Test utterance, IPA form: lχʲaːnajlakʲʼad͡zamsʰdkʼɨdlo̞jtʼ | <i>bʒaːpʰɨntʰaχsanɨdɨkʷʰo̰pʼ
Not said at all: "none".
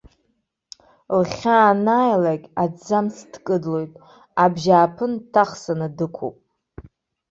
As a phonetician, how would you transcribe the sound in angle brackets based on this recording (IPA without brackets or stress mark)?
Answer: a